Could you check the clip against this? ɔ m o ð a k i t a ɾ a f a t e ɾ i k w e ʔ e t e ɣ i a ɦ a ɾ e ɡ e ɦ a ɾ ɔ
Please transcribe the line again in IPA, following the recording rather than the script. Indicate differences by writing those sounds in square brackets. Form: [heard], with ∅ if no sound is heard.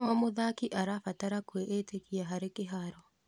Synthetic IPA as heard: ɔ m o ð a k i [ʔ] a ɾ a f a t [a] ɾ [a] k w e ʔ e t e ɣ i a ɦ a ɾ e [k] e ɦ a ɾ ɔ